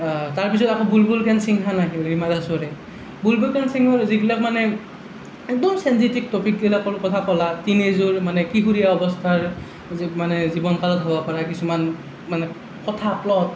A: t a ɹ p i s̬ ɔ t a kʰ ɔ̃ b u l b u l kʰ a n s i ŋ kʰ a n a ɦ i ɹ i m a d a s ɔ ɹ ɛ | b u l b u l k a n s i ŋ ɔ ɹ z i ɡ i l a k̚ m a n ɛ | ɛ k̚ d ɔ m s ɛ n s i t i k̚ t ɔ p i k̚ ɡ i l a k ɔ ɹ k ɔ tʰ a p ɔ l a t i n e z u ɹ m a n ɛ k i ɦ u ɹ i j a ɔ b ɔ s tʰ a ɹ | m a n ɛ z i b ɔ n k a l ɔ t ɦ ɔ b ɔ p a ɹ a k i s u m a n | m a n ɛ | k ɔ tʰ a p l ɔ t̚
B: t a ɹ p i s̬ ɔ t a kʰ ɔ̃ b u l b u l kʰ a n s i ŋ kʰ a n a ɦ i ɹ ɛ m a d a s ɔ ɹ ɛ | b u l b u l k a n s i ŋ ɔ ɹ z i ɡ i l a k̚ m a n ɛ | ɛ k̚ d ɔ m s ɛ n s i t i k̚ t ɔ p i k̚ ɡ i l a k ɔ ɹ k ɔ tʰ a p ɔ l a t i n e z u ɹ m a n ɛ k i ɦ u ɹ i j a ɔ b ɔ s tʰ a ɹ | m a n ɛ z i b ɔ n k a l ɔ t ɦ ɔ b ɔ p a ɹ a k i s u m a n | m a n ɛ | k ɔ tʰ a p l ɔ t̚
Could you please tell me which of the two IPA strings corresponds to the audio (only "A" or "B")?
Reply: A